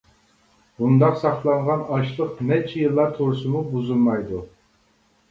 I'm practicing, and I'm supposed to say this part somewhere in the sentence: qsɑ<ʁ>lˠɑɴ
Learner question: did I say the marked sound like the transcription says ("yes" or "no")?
no